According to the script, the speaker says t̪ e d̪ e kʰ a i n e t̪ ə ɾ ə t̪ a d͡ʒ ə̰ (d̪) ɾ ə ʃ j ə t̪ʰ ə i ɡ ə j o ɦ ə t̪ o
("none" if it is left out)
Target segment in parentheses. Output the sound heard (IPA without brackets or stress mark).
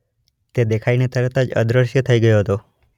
d̪